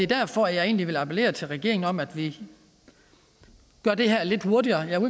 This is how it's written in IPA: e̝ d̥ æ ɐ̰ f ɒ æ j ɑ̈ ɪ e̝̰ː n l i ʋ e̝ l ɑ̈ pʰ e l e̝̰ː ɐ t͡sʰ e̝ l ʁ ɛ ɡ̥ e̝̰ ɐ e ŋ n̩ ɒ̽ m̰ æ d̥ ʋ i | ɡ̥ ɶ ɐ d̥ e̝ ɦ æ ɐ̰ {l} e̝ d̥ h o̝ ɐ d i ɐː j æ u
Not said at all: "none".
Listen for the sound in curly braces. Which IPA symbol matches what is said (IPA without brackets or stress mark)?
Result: l